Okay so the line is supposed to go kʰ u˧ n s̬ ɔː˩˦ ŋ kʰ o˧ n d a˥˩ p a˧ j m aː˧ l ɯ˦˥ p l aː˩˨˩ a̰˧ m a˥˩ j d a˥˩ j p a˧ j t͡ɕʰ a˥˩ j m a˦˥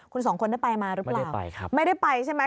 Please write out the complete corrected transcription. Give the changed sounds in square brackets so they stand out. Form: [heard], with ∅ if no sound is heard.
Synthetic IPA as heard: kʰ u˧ n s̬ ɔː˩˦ ŋ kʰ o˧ n d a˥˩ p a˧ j m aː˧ [ɾ] ɯ˦˥ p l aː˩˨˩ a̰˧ m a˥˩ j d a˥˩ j p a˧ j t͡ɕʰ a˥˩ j m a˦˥